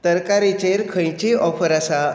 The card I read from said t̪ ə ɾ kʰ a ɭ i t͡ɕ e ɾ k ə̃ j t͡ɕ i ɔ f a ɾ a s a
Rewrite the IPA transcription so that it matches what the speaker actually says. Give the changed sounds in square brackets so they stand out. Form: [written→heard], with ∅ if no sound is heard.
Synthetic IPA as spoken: t̪ ə ɾ [kʰ→k] a [ɭ→ɾ] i t͡ɕ e ɾ [k→kʰ] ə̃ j t͡ɕ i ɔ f [a→ə] ɾ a s a